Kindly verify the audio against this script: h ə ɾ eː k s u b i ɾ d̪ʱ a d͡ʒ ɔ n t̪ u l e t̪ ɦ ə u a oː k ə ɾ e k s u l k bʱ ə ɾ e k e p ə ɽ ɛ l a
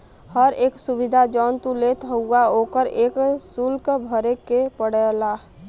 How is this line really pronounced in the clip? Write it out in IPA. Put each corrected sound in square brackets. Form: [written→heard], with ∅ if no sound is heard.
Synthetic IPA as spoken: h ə ɾ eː k s u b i [ɾ→∅] d̪ʱ a d͡ʒ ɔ n t̪ u l e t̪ ɦ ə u a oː k ə ɾ e k s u l k bʱ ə ɾ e k e p ə ɽ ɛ l a